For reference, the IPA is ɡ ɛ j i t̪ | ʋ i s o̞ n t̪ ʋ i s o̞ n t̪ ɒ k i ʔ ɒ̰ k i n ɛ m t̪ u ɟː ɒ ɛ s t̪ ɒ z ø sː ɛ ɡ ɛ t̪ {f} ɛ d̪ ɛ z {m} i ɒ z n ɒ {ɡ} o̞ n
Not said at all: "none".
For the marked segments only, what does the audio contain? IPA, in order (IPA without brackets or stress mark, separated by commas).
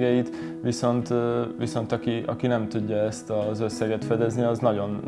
f, n, ɟ